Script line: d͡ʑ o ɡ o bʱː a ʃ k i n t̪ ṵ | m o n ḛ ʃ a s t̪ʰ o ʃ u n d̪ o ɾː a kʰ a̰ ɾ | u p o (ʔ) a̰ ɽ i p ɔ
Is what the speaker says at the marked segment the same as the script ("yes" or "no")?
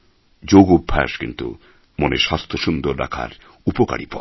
no